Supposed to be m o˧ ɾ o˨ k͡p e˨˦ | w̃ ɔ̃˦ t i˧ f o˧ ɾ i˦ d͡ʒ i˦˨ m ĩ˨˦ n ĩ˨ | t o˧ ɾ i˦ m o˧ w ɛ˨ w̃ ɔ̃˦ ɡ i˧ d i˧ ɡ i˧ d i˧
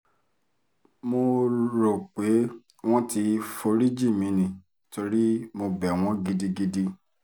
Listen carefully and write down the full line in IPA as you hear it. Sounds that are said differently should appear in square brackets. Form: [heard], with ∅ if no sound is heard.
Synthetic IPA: m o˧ ɾ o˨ k͡p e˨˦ | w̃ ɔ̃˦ t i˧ f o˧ ɾ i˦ d͡ʒ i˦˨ m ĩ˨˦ n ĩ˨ | t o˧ ɾ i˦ m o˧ [b] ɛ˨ w̃ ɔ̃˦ ɡ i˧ d i˧ ɡ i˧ d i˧